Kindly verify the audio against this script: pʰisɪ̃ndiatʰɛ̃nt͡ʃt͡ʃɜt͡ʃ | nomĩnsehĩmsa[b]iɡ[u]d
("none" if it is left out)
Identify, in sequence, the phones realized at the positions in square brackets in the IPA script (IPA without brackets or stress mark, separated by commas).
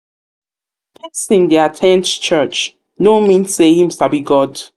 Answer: b, ɔ